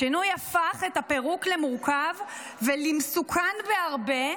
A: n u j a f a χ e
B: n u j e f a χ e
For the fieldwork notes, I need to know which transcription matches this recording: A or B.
A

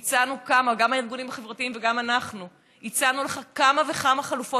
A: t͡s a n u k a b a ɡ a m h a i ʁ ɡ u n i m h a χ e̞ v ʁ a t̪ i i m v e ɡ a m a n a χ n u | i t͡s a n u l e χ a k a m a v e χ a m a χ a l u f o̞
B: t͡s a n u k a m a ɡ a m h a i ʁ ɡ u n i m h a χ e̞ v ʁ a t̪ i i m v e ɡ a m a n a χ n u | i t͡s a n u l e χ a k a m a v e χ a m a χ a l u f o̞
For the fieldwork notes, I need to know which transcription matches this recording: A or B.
B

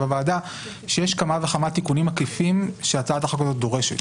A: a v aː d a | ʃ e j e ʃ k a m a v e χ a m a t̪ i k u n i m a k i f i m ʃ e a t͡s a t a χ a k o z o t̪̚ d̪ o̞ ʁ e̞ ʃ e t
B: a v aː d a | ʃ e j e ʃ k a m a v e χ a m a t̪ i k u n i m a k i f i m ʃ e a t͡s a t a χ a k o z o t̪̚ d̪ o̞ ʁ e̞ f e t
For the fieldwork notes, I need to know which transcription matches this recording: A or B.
A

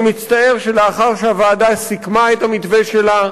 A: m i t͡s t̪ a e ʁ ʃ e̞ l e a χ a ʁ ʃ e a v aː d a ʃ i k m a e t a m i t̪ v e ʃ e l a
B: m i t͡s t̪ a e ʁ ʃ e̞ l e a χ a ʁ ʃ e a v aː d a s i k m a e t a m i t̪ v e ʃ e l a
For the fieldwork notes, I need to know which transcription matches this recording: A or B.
B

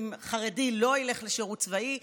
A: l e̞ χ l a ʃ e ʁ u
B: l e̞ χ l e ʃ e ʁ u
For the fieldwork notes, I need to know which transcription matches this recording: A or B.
B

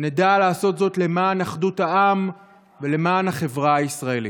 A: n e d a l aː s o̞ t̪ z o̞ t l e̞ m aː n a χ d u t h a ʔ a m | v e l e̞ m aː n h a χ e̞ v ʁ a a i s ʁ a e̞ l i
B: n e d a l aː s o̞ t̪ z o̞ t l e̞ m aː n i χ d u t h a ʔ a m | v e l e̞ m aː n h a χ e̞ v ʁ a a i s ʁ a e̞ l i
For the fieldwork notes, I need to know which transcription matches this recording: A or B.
A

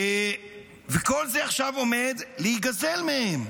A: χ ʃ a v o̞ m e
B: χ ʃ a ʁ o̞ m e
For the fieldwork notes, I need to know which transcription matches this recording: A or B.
A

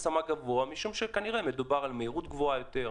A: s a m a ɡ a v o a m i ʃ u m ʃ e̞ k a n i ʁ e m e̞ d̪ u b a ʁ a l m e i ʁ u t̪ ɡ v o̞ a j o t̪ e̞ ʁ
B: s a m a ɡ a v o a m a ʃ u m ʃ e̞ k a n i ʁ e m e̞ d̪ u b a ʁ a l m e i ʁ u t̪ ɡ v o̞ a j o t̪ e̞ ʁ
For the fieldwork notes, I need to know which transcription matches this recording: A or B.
A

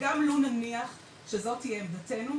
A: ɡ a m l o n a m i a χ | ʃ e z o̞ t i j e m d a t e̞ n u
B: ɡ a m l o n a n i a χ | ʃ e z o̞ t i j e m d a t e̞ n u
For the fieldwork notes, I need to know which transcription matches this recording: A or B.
B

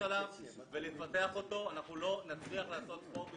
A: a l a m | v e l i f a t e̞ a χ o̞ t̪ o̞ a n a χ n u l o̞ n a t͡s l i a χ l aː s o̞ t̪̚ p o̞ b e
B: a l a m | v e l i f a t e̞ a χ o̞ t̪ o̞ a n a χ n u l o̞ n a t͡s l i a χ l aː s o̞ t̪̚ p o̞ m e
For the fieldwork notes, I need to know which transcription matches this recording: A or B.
A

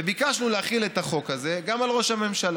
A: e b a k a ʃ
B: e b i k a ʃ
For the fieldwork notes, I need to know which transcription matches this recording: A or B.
B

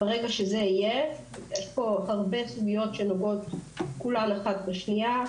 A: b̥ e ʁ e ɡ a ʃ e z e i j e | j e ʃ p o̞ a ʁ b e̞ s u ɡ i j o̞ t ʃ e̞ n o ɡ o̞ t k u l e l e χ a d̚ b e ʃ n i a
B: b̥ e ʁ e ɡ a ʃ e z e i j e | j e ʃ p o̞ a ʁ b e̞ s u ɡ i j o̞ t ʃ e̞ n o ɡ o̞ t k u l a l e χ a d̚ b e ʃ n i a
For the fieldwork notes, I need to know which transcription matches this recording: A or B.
B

